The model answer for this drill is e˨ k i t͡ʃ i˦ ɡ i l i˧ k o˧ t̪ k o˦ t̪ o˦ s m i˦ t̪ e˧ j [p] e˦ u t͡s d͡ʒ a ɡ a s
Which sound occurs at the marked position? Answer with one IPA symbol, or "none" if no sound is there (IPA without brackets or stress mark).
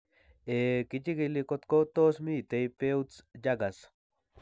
p